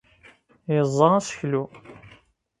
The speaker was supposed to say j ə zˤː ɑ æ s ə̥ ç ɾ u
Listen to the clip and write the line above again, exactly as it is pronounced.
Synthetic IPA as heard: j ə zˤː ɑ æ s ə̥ ç l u